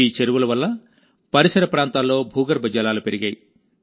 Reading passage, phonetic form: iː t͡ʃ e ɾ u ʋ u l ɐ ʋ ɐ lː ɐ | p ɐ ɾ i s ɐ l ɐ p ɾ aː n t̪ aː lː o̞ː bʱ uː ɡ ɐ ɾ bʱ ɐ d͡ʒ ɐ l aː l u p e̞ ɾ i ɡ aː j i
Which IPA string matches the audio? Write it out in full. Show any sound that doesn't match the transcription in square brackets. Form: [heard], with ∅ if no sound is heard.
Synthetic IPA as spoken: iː t͡ʃ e ɾ u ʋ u l ɐ ʋ ɐ lː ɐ | p ɐ ɾ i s ɐ [ɾ] ɐ p ɾ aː n t̪ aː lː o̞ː bʱ uː ɡ ɐ ɾ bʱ ɐ d͡ʒ ɐ l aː l u p e̞ ɾ i ɡ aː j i